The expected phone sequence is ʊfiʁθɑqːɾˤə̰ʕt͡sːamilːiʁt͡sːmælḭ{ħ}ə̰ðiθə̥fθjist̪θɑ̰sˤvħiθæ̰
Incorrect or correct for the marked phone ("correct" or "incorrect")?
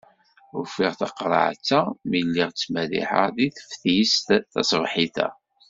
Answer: correct